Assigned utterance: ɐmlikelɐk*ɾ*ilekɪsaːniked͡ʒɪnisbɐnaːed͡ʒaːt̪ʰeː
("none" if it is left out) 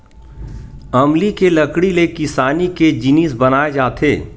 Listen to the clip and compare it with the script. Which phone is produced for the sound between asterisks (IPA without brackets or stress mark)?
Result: ɽ